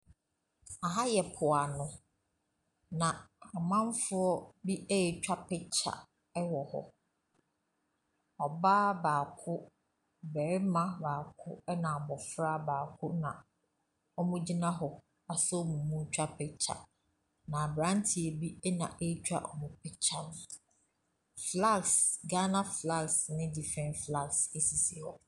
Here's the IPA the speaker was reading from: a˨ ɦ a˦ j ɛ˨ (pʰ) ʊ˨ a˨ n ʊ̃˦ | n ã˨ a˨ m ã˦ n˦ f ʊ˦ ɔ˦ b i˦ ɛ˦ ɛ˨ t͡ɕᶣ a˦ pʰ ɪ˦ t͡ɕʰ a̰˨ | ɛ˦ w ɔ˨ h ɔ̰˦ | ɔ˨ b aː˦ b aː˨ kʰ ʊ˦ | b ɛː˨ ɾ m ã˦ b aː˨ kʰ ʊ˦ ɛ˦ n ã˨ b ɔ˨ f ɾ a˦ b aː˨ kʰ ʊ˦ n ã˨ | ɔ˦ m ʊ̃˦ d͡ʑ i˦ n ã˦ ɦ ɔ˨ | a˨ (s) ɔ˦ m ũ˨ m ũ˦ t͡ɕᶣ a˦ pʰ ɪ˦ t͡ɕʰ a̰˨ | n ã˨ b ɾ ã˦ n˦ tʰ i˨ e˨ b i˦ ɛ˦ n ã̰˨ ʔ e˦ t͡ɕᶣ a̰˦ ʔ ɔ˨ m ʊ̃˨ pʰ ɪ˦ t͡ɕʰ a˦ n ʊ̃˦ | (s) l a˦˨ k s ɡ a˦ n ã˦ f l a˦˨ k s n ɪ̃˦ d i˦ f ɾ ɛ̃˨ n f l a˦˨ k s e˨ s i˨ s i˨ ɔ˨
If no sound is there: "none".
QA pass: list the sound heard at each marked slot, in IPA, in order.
pʰ, s, f

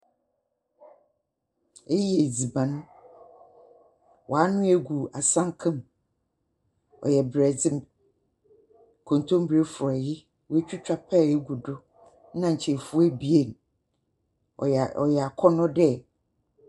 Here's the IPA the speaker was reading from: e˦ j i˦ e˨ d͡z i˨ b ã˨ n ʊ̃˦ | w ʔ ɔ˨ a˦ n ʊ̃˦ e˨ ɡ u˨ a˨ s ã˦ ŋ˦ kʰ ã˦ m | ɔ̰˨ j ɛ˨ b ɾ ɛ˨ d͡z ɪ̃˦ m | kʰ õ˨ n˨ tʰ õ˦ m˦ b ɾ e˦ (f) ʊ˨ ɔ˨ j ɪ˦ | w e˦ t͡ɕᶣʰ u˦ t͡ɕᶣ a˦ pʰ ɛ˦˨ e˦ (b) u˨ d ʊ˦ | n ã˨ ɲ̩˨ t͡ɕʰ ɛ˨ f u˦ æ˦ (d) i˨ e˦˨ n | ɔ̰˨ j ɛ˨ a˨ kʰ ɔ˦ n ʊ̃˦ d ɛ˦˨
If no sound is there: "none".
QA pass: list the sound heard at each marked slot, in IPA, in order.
f, ɡ, b

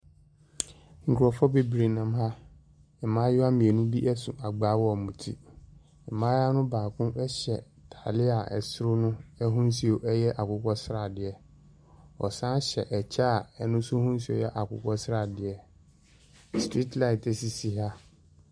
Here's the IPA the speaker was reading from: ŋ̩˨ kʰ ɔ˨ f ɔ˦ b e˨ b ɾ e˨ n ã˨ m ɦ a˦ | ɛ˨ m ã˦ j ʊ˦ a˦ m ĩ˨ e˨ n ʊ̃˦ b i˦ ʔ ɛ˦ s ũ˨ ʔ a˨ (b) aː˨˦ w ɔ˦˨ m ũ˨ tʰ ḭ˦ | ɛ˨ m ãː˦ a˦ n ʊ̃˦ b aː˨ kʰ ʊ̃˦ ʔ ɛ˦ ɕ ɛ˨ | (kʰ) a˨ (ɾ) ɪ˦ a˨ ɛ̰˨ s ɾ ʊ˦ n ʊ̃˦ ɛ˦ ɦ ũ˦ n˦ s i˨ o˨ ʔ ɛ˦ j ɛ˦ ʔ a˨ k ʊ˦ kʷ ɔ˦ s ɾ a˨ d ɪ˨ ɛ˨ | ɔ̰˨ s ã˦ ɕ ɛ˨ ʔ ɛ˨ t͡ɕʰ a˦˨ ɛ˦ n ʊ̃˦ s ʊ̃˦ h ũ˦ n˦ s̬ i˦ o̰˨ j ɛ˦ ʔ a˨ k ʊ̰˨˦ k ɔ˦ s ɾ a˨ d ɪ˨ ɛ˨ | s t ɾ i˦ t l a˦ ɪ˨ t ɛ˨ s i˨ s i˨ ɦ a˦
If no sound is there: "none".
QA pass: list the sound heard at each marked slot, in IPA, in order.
ɡ͡b, tʰ, l

